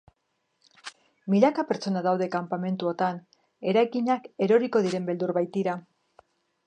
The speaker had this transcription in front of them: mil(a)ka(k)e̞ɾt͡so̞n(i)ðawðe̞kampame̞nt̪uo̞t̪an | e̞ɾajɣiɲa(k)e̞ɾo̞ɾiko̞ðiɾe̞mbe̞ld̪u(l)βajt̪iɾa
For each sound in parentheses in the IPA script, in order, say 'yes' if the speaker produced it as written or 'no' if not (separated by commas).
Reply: yes, no, no, yes, no